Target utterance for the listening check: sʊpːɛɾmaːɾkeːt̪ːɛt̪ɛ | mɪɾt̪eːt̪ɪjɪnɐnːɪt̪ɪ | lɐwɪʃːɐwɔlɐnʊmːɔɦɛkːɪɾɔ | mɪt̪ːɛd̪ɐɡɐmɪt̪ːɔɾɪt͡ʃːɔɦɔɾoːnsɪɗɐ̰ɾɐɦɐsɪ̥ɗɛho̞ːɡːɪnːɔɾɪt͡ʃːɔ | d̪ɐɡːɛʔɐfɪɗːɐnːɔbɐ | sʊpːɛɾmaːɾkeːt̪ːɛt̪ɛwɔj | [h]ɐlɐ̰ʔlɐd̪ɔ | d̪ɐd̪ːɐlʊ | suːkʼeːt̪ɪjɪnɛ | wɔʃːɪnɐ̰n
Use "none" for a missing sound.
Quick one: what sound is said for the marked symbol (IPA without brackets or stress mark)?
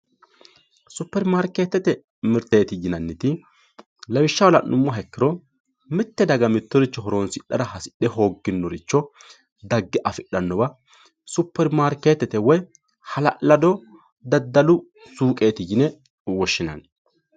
h